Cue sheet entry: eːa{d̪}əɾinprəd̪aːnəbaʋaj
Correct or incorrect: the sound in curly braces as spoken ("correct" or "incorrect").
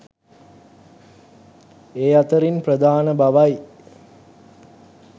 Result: incorrect